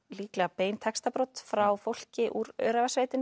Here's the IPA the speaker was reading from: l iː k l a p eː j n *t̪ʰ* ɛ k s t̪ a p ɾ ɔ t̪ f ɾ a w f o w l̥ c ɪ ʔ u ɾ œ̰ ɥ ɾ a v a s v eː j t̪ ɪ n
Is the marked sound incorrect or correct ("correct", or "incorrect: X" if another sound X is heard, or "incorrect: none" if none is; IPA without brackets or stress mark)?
correct